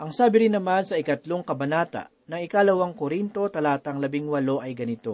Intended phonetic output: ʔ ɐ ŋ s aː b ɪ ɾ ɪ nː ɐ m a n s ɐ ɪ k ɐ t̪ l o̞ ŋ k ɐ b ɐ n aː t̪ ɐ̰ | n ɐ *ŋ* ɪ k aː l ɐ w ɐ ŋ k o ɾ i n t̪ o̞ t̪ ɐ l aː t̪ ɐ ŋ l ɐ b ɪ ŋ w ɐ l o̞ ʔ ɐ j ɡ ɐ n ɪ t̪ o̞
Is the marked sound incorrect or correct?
correct